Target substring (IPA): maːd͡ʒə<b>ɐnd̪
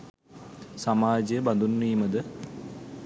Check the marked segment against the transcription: correct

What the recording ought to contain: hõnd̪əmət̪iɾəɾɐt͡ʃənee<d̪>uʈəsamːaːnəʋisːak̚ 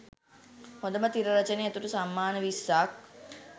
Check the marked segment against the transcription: incorrect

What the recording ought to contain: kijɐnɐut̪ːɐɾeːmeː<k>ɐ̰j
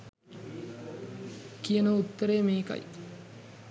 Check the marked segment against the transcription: correct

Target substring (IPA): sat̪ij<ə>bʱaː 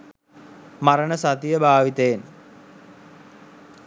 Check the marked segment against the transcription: correct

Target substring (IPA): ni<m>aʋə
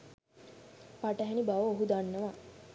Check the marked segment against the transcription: incorrect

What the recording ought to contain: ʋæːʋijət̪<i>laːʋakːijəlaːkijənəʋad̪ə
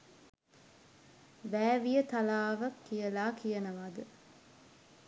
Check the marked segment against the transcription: incorrect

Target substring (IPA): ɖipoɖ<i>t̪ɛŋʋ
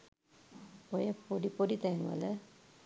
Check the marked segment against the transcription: correct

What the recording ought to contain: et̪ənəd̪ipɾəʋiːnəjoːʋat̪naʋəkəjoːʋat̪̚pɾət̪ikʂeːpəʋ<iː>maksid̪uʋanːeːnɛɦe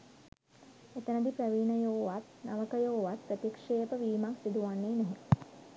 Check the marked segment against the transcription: correct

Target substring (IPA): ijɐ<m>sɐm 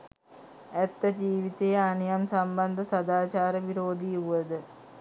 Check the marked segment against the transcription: correct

